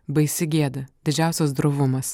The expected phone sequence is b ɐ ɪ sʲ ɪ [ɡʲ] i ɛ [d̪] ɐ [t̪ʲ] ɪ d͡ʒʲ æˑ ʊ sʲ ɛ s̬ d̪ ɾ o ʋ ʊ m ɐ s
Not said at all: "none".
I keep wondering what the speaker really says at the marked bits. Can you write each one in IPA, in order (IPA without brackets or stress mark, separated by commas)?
ɡʲ, d̪, d̪ʲ